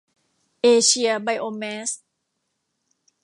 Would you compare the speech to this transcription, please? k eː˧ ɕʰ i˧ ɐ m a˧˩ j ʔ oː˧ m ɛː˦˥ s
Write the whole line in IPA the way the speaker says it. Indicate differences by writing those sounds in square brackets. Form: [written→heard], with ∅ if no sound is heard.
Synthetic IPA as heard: [k→ʔ] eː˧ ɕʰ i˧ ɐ [m→b] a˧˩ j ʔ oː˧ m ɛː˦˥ s